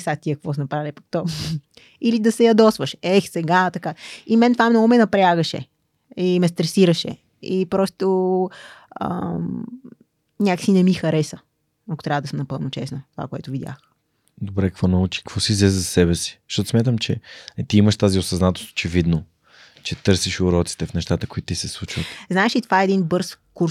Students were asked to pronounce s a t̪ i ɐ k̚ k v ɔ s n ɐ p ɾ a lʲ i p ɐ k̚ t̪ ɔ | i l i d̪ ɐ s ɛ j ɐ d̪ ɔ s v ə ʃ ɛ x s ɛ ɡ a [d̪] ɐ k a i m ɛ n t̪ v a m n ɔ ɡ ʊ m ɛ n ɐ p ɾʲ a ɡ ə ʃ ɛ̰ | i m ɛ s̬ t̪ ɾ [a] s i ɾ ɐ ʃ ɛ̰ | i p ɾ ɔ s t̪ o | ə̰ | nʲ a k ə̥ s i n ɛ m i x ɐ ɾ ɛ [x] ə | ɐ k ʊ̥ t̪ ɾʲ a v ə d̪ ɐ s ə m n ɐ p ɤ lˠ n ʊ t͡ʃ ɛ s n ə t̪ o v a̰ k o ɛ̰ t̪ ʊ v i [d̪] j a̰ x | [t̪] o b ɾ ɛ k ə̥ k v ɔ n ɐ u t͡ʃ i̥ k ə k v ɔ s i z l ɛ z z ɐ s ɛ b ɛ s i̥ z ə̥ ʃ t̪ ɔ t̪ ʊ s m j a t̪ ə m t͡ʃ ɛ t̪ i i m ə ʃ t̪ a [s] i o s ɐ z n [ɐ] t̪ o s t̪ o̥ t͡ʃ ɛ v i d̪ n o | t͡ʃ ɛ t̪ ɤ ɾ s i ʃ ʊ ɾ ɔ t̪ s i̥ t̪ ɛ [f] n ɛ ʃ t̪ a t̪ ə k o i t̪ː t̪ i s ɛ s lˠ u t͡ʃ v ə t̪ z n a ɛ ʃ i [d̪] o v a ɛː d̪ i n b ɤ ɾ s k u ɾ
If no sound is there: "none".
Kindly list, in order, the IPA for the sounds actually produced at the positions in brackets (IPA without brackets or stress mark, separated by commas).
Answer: t̪, ɛ, s, d̪, d̪, z, a, f, t̪